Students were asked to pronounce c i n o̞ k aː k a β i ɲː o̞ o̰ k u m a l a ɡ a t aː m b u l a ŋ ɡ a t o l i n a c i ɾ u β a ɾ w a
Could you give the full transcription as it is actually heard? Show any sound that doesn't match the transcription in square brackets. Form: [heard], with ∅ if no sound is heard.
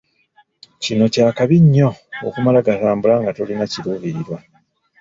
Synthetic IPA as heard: c i n o̞ [c] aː k a β i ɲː o̞ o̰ k u m a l a ɡ a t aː m b u l a ŋ ɡ a t o l i n a c i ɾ u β [i] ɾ w a